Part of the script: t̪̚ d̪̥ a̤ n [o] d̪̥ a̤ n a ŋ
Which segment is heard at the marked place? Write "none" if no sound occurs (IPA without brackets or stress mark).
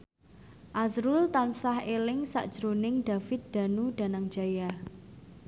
u